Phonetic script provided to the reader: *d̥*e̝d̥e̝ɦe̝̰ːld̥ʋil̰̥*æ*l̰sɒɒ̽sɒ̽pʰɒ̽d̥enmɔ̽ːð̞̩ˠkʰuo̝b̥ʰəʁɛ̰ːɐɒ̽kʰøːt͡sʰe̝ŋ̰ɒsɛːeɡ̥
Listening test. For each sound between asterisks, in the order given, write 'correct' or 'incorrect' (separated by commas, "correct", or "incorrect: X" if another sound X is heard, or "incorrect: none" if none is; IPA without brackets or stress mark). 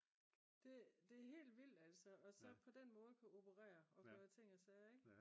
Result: correct, correct